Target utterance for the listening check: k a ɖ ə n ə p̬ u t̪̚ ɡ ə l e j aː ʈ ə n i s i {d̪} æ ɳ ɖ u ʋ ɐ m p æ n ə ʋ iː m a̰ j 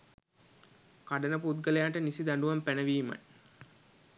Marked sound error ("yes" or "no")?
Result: no